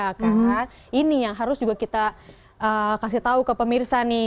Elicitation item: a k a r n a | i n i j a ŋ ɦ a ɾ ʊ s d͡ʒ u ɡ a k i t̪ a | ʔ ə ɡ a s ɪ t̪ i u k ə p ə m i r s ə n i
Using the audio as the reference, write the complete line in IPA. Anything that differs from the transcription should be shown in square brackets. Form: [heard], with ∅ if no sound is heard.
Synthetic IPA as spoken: a k a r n a | i n i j a ŋ ɦ a ɾ ʊ s d͡ʒ u ɡ a k i t̪ a | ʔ ə [k] a s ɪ t̪ [a] u k ə p ə m i r s [a] n i